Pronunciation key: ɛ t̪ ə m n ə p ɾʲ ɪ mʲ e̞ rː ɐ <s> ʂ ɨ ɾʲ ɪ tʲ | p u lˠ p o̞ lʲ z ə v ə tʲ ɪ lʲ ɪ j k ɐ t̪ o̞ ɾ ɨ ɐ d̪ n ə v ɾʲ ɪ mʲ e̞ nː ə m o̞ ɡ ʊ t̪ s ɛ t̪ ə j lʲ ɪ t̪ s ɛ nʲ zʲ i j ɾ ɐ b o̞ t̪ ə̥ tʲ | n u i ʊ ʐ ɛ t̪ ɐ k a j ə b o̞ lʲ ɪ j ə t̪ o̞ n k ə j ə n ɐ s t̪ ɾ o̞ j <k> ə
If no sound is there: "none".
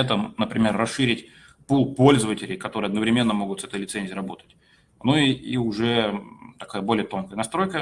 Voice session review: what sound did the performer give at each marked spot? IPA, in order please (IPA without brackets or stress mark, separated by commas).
s, k